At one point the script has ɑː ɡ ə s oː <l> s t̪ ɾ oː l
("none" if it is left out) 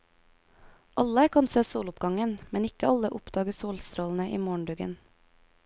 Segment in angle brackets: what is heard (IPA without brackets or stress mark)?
l